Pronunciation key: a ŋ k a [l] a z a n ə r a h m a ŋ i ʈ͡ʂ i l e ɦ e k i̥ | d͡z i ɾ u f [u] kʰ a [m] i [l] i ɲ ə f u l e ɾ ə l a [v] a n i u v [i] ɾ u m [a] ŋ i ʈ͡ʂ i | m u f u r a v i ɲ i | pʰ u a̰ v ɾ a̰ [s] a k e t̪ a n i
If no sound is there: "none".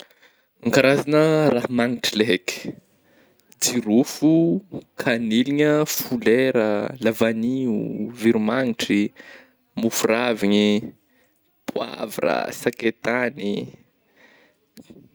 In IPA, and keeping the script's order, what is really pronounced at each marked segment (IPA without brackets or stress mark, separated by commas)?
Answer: ɾ, u, n, l, v, i, a, s